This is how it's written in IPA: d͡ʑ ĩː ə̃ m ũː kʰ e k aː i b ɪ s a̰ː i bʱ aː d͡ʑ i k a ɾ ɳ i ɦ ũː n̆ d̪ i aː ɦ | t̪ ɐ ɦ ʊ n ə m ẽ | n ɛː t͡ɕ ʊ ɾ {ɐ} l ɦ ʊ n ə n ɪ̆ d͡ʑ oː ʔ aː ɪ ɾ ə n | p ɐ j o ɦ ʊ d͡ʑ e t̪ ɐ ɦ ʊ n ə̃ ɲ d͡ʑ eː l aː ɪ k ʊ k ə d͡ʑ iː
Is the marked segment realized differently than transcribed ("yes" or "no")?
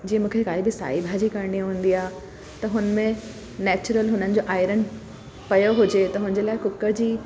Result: yes